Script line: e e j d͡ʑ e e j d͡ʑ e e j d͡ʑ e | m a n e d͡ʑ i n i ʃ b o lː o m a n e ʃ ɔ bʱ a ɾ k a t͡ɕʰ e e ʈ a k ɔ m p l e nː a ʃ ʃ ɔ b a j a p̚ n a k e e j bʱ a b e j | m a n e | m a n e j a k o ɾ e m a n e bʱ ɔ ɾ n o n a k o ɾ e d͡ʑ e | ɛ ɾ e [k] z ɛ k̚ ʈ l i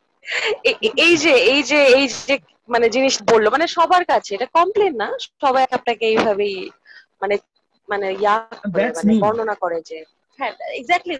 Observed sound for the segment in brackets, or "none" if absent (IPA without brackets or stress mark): ɡ